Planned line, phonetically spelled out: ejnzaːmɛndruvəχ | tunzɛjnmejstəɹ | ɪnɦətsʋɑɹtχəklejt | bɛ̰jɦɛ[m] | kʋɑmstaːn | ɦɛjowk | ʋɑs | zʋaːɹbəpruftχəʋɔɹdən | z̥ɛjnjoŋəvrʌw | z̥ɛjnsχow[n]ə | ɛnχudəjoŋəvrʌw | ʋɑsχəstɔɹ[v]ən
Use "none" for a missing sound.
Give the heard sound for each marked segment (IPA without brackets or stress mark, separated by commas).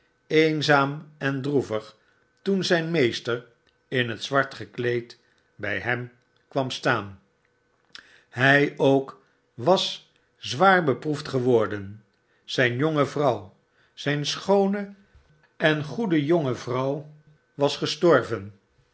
m, n, v